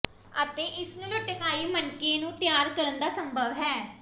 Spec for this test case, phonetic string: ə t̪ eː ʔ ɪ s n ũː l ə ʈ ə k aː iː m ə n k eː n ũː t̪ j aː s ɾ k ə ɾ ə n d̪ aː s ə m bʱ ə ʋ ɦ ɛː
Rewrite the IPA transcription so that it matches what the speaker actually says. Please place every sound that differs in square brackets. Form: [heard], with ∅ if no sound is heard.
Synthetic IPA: ə t̪ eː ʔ ɪ s n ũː l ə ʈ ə k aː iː m ə n k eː n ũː t̪ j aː [∅] ɾ k ə ɾ ə n d̪ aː s ə m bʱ ə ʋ ɦ ɛː